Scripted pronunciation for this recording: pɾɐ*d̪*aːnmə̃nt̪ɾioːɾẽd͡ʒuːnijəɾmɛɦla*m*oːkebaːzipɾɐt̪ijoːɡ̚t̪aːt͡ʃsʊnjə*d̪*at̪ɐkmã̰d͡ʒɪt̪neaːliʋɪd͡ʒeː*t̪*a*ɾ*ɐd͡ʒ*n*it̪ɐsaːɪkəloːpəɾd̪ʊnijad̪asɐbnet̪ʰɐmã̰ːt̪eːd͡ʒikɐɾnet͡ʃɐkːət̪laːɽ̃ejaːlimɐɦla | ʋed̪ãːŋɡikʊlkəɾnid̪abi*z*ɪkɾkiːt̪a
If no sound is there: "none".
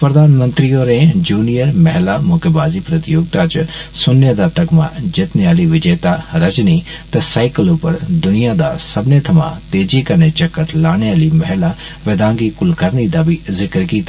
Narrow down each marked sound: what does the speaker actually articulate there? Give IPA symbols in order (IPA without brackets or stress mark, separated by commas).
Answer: d̪, m, d̪, t̪, ɾ, n, z